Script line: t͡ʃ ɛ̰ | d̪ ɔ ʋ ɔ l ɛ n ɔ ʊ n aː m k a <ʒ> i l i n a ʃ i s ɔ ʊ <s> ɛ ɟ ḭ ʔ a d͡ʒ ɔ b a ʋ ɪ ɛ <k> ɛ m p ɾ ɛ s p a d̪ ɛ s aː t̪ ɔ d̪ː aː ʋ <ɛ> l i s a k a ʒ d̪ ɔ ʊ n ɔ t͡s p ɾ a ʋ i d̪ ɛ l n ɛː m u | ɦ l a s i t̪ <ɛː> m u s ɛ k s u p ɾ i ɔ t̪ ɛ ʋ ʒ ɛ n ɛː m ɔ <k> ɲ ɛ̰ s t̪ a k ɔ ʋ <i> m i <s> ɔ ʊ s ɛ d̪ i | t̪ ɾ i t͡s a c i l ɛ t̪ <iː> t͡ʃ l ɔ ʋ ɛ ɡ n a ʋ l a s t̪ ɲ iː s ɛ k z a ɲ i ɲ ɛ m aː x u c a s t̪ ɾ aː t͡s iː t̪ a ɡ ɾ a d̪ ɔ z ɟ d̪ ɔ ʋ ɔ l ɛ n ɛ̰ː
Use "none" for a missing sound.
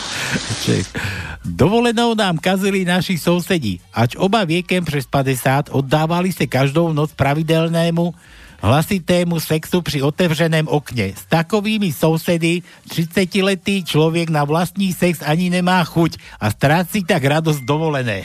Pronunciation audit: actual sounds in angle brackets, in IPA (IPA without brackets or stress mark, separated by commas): z, s, k, a, ɛː, k, iː, s, iː